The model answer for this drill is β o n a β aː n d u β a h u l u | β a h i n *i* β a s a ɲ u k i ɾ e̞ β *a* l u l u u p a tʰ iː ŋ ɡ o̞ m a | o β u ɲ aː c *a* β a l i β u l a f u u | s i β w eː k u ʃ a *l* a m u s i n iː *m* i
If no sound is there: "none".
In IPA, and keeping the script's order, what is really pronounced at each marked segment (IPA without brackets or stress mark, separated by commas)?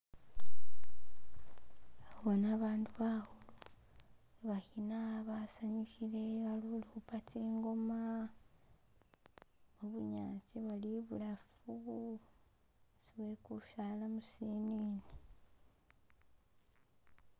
a, a, i, l, n